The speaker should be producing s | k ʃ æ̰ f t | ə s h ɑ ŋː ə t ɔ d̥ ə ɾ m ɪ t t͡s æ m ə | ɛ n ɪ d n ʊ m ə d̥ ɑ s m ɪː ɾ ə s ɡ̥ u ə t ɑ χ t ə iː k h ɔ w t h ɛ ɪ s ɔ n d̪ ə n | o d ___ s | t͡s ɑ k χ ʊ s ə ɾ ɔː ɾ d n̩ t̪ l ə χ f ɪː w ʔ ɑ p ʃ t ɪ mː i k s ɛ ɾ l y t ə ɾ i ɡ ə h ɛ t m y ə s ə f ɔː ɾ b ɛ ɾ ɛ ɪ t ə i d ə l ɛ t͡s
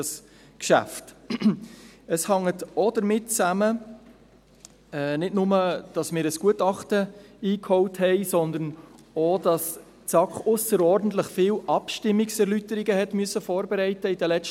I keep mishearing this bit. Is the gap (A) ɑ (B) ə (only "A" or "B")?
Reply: A